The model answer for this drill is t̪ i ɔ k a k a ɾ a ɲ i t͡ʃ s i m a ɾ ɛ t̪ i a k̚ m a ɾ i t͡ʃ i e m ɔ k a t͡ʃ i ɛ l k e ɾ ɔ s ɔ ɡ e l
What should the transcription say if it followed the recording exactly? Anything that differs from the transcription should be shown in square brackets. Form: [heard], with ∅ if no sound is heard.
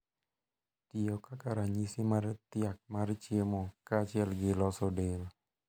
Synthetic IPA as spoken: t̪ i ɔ k a k a ɾ a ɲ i [∅] s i m a ɾ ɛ t̪ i a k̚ m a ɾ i t͡ʃ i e m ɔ k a t͡ʃ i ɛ l [ɡ] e [l] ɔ s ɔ [d] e l